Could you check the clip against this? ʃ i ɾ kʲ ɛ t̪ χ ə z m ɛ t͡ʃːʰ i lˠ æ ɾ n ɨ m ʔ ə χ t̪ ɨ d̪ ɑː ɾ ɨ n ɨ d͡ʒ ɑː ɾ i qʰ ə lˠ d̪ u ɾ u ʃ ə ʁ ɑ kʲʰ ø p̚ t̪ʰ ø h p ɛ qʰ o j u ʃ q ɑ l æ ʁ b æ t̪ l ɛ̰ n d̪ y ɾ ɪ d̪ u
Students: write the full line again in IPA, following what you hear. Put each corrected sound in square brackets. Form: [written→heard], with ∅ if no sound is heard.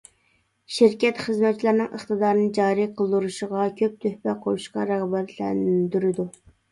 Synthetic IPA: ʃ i ɾ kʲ ɛ t̪ χ ə z m ɛ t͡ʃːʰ i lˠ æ ɾ n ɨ [m→ŋ] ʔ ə χ t̪ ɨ d̪ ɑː ɾ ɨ n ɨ d͡ʒ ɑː ɾ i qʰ ə lˠ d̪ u ɾ u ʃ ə ʁ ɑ kʲʰ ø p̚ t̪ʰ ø h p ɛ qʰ o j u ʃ q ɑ [l→ɾ] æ ʁ b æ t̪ l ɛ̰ n d̪ y ɾ ɪ d̪ u